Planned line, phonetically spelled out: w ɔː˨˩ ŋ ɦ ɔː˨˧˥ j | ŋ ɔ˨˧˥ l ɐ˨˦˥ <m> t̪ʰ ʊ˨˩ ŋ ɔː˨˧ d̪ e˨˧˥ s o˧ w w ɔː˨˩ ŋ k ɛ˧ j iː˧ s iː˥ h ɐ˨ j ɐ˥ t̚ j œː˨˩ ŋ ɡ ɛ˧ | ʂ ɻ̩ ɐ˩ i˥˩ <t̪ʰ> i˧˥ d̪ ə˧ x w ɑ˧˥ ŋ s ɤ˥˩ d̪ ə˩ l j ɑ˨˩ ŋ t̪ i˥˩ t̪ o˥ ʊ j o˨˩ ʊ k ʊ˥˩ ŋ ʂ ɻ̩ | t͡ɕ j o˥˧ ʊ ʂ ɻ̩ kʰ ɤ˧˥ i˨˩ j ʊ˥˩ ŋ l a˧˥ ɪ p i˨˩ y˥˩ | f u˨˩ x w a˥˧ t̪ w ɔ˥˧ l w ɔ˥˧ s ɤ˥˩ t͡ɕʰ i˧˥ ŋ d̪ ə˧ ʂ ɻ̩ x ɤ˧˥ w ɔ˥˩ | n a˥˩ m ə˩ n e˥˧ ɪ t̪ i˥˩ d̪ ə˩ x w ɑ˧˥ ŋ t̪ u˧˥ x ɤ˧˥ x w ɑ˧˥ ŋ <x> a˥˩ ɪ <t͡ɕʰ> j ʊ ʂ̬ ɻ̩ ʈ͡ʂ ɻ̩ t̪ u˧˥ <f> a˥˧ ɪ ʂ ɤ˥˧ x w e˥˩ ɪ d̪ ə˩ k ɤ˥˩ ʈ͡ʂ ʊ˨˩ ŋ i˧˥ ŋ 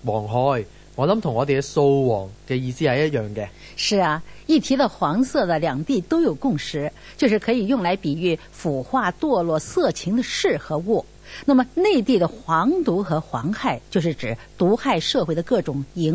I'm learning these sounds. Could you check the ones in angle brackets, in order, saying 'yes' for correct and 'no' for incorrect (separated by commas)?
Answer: yes, yes, yes, no, no